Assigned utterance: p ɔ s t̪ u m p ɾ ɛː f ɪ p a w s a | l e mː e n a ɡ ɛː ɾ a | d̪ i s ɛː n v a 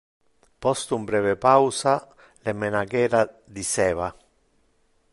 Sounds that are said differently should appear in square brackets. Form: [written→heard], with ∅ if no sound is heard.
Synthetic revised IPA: p ɔ s t̪ u m [p→b] ɾ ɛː [f→v] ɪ p a w s a | l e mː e n a ɡ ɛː ɾ a | d̪ i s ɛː [n→∅] v a